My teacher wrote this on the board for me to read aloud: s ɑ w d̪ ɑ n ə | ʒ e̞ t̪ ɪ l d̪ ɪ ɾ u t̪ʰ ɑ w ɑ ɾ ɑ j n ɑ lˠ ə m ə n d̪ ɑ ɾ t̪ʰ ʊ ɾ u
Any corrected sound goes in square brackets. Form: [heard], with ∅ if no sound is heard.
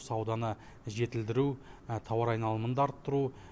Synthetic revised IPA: s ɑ w d̪ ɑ n ə | ʒ e̞ t̪ ɪ l d̪ ɪ ɾ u t̪ʰ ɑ w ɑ ɾ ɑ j n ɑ lˠ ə m ə n d̪ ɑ ɾ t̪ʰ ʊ ɾ u